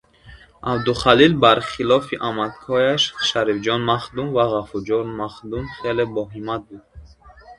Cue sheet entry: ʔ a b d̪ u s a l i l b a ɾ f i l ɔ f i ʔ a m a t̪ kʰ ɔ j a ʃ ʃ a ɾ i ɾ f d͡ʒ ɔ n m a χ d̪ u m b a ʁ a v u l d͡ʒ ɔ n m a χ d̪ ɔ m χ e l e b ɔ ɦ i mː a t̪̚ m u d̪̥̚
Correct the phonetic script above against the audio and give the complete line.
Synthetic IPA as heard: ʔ a b d̪ u χ a l i l b a ɾ χ i l ɔ f i ʔ a m a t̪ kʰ ɔ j a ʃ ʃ a ɾ i f d͡ʒ ɔ n m a χ d̪ u m v a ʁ a f u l d͡ʒ ɔ n m a χ d̪ u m χ e l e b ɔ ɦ i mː a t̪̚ b u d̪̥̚